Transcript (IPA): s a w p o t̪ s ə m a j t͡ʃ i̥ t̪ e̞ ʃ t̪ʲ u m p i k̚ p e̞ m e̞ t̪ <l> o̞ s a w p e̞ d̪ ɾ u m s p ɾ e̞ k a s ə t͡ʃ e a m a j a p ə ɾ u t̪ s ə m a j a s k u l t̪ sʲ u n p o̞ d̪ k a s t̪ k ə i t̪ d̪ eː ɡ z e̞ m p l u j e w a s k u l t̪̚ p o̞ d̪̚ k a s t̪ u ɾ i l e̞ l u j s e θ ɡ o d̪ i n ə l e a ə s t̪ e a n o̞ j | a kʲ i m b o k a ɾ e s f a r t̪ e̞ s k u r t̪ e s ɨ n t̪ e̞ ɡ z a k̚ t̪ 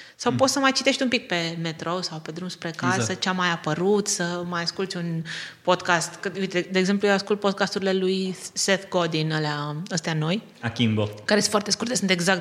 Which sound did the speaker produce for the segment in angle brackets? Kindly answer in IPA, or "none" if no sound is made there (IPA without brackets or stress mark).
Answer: ɾ